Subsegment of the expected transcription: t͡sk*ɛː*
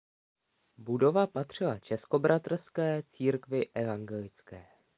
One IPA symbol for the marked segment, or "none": ɛː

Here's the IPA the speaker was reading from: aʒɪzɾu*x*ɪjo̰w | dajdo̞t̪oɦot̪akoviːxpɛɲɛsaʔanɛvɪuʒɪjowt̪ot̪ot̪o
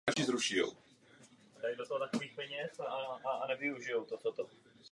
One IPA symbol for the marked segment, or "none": ʃ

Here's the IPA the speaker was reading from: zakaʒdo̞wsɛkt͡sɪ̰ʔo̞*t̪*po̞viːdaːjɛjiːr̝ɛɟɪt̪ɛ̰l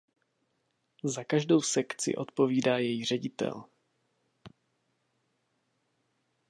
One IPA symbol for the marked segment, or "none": t̪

